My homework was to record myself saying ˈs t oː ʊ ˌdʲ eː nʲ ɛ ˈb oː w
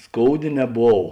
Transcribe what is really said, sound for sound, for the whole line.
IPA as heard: ˈs k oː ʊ ˌdʲ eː nʲ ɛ ˈb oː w